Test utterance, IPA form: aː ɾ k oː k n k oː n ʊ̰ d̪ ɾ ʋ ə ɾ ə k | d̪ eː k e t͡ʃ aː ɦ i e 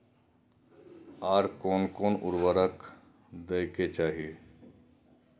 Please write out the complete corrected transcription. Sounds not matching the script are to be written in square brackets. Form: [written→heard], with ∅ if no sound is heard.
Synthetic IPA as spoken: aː ɾ k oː [k→∅] n k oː n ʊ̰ [d̪→∅] ɾ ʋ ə ɾ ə k | d̪ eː k e t͡ʃ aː ɦ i e